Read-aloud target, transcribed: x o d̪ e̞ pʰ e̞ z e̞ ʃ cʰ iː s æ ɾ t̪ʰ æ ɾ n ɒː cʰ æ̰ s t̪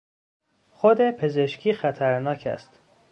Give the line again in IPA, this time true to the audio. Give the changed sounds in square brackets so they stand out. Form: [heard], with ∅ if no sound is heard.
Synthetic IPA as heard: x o d̪ e̞ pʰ e̞ z e̞ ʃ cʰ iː [x] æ [∅] t̪ʰ æ ɾ n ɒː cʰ æ̰ s t̪